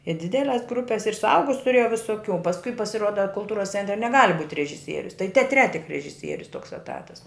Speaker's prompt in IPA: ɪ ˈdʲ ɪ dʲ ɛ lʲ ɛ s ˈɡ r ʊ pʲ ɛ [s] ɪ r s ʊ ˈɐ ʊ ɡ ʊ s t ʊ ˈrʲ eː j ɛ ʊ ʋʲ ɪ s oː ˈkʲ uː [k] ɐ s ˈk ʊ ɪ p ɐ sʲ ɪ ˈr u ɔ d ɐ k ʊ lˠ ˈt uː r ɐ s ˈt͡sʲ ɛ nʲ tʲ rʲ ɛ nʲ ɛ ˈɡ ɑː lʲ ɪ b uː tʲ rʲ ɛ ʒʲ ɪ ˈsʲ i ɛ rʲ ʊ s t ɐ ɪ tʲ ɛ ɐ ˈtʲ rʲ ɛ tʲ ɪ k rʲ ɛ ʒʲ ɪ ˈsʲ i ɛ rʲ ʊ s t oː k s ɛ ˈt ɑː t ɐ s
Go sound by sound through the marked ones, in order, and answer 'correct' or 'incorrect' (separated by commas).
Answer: correct, incorrect